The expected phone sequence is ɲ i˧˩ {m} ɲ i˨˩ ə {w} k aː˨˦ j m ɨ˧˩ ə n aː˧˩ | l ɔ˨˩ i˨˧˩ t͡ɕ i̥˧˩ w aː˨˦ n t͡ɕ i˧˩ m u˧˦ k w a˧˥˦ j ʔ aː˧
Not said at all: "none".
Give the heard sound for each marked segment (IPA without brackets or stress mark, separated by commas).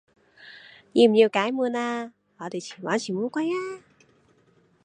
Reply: m, w